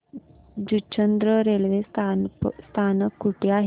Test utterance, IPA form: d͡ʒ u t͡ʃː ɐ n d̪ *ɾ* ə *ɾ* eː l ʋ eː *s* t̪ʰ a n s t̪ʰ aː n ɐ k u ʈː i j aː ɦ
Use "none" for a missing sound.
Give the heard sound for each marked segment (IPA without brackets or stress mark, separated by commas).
ɾ, ɾ, s